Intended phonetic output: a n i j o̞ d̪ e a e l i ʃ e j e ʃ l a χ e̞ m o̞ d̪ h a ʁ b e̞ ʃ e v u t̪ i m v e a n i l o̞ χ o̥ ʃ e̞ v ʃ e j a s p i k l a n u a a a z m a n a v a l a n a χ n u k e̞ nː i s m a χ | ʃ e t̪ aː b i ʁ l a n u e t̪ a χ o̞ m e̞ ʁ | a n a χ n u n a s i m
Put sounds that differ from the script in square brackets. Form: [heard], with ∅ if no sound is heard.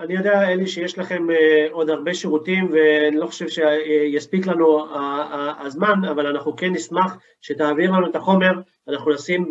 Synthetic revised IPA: a n i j o̞ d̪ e a e l i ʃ e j e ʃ l a χ e̞ m o̞ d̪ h a ʁ b e̞ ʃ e [ʁ] u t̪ i m v e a n i l o̞ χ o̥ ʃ e̞ v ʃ e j a s p i k l a n u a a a z m a n a v a l a n a χ n u k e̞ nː i s m a χ | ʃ e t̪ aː [v] i ʁ l a n u e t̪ a χ o̞ m e̞ ʁ | a n a χ n u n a s i m